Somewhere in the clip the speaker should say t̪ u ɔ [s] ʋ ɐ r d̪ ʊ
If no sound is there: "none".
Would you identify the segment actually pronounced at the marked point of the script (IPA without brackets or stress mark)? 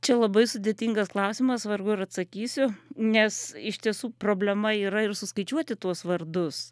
s